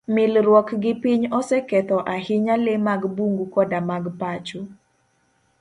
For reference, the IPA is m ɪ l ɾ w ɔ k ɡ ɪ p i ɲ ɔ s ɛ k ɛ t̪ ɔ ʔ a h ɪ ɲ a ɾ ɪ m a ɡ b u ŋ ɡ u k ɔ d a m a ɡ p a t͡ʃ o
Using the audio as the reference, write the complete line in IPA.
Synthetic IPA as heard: m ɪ l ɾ w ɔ k ɡ ɪ p i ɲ ɔ s ɛ k ɛ t̪ ɔ ʔ a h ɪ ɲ a l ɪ m a ɡ b u ŋ ɡ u k ɔ d a m a ɡ p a t͡ʃ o